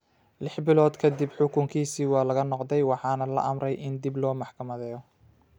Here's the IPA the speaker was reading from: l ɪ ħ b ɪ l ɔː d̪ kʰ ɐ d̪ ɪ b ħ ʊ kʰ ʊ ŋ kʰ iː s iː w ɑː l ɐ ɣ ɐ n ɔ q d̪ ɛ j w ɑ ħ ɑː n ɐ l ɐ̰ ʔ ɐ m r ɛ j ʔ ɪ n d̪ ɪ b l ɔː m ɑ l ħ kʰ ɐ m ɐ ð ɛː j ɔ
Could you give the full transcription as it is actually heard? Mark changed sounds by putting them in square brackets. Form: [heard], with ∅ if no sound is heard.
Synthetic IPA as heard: l ɪ ħ b ɪ l ɔː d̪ kʰ ɐ d̪ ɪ b ħ ʊ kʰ ʊ ŋ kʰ iː s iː w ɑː l ɐ ɣ ɐ n ɔ q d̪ ɛ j w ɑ ħ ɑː n ɐ l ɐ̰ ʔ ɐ m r ɛ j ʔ ɪ n d̪ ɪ b l ɔː m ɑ [∅] ħ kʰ ɐ m ɐ ð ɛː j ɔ